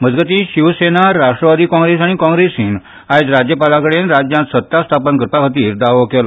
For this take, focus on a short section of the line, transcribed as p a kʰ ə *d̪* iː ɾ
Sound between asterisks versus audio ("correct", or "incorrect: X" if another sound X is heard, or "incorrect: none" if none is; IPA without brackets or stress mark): incorrect: t̪